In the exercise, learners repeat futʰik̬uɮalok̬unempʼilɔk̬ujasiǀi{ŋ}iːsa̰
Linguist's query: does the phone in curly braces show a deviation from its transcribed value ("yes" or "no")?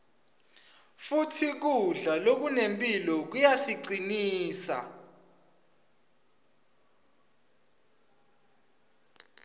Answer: yes